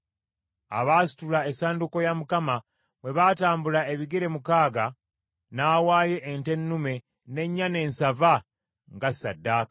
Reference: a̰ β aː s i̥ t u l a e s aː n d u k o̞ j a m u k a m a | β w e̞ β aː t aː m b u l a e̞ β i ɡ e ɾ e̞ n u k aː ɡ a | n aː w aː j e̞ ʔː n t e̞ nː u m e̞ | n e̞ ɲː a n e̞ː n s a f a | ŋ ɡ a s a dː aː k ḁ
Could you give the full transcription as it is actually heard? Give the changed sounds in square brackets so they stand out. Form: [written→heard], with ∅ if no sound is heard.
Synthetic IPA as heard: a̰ β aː s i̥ t u l a e s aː n d u k o̞ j a m u k a m a | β w e̞ β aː t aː m b u l a e̞ β i ɡ e ɾ e̞ [n→m] u k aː ɡ a | n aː w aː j e̞ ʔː n t e̞ nː u m e̞ | n e̞ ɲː a n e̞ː n s a [f→v] a | ŋ ɡ a s a dː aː k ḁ